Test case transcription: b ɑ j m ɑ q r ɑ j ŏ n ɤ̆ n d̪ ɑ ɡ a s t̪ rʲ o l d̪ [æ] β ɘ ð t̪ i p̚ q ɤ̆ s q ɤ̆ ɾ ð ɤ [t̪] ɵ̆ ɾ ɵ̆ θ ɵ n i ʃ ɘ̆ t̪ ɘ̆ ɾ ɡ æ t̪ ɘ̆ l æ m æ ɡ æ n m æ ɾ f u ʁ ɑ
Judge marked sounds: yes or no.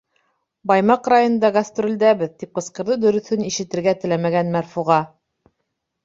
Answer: yes, no

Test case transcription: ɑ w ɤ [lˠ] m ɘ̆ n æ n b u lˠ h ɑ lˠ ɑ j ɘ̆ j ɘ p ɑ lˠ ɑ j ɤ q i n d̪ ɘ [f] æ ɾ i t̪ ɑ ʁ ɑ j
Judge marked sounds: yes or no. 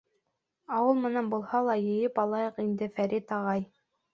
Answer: yes, yes

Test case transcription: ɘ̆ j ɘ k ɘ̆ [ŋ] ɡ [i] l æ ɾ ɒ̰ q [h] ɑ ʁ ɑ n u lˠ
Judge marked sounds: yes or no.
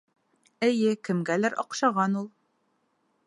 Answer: no, no, no

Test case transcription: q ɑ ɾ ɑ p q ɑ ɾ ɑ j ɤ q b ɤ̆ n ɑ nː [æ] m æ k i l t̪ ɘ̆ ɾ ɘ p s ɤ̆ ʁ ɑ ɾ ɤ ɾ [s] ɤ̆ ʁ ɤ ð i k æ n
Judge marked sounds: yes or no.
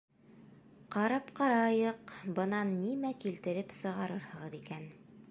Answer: no, no

